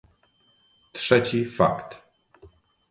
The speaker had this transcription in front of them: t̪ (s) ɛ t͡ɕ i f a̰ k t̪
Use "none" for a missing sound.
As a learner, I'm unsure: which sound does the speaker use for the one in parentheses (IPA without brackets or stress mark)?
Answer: ʂ